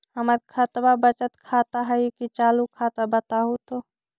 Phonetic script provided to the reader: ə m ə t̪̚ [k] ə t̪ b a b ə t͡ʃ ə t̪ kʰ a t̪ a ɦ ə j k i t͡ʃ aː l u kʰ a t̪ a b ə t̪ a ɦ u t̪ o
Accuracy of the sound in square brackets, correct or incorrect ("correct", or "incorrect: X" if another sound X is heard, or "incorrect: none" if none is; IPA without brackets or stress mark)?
incorrect: kʰ